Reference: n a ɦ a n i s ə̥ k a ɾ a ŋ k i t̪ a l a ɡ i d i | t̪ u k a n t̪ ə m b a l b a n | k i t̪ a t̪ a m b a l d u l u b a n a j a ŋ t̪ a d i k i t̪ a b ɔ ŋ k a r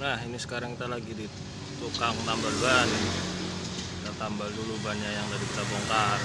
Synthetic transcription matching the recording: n a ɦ i n i s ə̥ k a ɾ a ŋ k i t̪ a l a ɡ i d i | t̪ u k a ŋ t̪ a m b a l b a n | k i t̪ a t̪ a m b a l d u l u b a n a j a ŋ t̪ a d i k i t̪ a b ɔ ŋ k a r